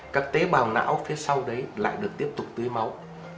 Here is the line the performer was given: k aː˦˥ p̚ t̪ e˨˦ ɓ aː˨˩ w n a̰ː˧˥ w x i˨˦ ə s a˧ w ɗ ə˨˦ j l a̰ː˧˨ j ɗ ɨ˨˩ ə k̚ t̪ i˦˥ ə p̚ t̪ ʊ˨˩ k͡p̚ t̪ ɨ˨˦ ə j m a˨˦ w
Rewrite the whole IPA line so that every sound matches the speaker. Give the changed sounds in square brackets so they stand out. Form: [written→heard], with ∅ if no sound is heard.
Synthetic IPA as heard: k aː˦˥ [p̚→k̚] t̪ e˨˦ ɓ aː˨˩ w n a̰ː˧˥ w [x→f] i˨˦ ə s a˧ w ɗ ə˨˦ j l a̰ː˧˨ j ɗ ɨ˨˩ ə k̚ t̪ i˦˥ ə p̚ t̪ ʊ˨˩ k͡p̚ t̪ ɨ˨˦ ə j m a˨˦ w

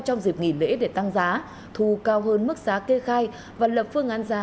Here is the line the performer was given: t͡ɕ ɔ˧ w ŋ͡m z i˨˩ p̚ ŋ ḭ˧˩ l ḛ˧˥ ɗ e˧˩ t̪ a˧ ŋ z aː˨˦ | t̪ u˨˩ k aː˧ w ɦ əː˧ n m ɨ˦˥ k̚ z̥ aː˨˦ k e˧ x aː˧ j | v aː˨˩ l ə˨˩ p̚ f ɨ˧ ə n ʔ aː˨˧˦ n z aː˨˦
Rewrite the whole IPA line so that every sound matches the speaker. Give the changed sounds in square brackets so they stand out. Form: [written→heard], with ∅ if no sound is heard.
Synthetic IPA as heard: t͡ɕ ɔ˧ w ŋ͡m z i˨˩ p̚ ŋ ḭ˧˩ l ḛ˧˥ ɗ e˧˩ t̪ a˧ ŋ z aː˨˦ | [t̪→t̪ʰ] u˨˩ k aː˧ w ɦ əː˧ n m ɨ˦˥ k̚ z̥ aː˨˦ k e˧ x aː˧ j | v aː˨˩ l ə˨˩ p̚ f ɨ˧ ə [n→ŋ] ʔ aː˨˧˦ n z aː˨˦

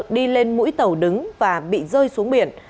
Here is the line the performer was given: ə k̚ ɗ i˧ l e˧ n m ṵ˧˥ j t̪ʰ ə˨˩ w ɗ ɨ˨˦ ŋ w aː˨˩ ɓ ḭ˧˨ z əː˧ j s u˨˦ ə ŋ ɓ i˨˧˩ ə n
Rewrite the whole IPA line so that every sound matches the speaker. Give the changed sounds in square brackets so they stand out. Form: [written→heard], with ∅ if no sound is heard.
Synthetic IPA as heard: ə k̚ ɗ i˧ l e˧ n m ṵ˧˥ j [t̪ʰ→t̪] ə˨˩ w ɗ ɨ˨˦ ŋ [w→v] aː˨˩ ɓ ḭ˧˨ z əː˧ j s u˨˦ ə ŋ ɓ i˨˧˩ ə n

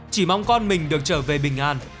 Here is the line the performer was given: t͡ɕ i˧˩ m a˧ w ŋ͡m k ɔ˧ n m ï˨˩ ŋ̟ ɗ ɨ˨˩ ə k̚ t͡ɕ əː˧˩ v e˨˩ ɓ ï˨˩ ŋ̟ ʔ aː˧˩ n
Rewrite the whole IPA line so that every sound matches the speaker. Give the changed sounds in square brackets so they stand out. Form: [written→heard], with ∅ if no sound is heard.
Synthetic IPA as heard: t͡ɕ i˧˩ m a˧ w ŋ͡m k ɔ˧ n m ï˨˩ ŋ̟ ɗ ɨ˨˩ ə k̚ t͡ɕ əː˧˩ v e˨˩ ɓ ï˨˩ ŋ̟ ʔ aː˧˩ n

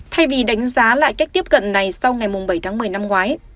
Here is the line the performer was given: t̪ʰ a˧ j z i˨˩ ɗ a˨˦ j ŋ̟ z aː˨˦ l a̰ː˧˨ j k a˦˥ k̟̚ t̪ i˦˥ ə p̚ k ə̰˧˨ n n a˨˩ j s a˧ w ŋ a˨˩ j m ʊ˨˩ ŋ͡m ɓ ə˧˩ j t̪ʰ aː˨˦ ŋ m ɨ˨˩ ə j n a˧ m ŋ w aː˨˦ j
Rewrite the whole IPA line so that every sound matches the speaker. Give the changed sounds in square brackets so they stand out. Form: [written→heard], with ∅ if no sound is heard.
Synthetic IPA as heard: t̪ʰ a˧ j [z→v] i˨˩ ɗ a˨˦ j ŋ̟ z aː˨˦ l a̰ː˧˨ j k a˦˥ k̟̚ t̪ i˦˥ ə p̚ k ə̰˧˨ n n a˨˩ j s a˧ w ŋ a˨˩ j m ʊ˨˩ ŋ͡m ɓ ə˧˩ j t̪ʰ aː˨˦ ŋ m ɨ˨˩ ə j n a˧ m ŋ w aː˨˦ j

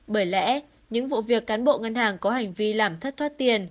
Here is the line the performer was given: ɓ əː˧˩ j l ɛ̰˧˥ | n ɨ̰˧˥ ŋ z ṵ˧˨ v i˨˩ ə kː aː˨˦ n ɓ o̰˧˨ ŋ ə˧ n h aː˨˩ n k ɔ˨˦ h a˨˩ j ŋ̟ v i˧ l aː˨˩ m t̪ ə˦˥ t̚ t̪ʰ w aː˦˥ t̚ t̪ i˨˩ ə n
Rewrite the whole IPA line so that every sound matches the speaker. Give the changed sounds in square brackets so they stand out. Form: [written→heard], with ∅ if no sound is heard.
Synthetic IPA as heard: ɓ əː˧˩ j l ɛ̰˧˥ | [n→ɲ] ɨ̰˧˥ ŋ [z→v] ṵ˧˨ v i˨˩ ə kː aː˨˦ n ɓ o̰˧˨ ŋ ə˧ n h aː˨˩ [n→ŋ] k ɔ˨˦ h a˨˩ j ŋ̟ v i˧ l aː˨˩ m [t̪→t̪ʰ] ə˦˥ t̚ t̪ʰ w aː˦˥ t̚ t̪ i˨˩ ə n

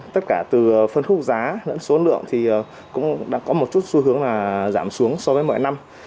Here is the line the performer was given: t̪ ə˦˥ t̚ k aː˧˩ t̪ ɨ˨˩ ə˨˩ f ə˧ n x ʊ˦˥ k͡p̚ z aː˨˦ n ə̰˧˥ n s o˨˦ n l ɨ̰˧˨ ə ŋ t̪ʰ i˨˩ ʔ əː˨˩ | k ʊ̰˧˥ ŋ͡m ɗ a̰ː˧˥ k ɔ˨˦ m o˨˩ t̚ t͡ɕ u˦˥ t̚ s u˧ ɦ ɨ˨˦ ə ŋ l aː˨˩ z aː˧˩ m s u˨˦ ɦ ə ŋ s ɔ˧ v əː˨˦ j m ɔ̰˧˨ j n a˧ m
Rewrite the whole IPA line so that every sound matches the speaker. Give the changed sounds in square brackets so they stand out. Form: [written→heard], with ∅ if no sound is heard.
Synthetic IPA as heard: t̪ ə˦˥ t̚ k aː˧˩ t̪ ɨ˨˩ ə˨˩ f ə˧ n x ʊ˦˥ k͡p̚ z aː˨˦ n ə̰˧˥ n s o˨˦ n l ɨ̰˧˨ ə ŋ t̪ʰ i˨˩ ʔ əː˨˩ | k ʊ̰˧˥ ŋ͡m ɗ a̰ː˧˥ k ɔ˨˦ m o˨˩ t̚ t͡ɕ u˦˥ t̚ s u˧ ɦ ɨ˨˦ ə ŋ l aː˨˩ z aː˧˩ m s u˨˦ [ɦ→∅] ə ŋ s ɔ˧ v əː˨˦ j m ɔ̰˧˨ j n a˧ m

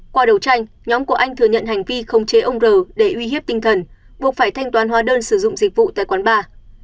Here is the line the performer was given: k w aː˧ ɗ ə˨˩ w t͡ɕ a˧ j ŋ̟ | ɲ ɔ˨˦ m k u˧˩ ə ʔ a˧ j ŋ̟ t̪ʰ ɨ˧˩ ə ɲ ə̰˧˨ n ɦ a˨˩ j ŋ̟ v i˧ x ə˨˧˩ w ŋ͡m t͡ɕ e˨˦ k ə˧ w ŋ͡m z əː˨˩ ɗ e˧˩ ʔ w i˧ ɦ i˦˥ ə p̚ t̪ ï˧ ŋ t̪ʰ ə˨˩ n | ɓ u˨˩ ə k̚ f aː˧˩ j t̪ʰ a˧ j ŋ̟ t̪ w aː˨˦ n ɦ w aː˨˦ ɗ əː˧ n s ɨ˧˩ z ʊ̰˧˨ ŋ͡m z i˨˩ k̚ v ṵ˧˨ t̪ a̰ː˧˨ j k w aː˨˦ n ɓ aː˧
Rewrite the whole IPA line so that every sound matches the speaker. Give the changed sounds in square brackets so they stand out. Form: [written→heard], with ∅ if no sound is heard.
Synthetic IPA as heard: k w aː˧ ɗ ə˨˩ w t͡ɕ a˧ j ŋ̟ | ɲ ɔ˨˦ m k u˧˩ ə ʔ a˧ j ŋ̟ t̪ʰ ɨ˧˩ ə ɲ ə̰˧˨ n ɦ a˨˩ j ŋ̟ v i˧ x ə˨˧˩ w ŋ͡m t͡ɕ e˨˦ [k→ʔ] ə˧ w ŋ͡m z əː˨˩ ɗ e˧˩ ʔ w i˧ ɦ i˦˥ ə p̚ t̪ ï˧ ŋ t̪ʰ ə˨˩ n | ɓ u˨˩ ə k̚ f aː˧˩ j t̪ʰ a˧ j ŋ̟ t̪ w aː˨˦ n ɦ w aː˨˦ ɗ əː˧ n s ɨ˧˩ z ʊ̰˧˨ ŋ͡m z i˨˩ k̚ v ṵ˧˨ t̪ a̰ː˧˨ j k w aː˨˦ n ɓ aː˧

